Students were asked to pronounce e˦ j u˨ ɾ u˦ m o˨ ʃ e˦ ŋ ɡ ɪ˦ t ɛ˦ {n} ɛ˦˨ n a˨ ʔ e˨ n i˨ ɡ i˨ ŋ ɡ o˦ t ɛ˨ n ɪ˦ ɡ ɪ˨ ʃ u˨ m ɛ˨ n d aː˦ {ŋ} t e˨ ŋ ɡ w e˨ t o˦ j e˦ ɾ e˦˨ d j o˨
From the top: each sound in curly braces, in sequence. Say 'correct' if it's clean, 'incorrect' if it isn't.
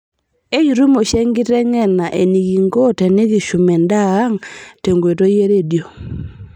incorrect: ŋ, correct

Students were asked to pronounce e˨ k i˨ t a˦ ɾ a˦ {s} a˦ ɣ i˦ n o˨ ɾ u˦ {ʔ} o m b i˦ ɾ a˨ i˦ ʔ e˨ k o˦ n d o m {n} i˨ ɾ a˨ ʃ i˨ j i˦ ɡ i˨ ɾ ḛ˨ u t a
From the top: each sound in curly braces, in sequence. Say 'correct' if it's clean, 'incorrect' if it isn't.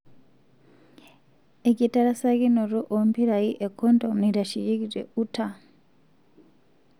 correct, correct, correct

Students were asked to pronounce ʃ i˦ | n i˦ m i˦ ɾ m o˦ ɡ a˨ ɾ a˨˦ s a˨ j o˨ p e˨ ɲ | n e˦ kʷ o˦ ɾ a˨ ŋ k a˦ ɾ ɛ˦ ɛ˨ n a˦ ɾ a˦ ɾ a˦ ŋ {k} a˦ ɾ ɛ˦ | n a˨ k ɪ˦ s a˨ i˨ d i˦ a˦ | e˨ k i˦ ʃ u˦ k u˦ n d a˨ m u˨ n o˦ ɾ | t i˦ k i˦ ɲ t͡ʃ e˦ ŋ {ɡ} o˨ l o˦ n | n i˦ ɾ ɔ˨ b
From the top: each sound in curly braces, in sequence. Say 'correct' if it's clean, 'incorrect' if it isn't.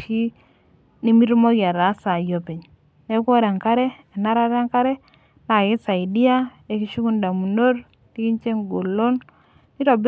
correct, correct

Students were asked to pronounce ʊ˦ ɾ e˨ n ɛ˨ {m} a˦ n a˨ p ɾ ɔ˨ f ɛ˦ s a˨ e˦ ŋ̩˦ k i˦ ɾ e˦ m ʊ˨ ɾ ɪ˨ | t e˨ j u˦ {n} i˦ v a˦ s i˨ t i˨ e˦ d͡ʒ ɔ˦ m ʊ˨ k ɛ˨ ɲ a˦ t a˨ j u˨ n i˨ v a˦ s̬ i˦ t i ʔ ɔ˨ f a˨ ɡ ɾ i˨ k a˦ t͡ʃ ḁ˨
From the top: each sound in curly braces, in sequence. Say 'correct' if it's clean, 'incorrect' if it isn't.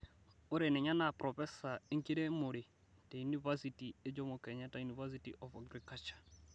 incorrect: ɲ, correct

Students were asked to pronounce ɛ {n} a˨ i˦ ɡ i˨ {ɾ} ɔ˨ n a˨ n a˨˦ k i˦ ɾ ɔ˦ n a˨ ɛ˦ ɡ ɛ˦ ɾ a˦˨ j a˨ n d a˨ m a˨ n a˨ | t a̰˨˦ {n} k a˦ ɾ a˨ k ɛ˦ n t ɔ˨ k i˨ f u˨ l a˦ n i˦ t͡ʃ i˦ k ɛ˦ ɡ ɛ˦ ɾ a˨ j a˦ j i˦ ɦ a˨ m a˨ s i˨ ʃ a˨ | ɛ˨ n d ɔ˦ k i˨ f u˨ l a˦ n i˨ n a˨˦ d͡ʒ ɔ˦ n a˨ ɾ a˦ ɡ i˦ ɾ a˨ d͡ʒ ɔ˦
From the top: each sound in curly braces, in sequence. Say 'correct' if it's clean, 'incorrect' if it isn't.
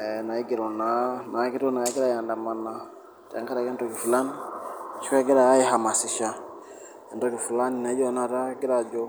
correct, correct, incorrect: ŋ

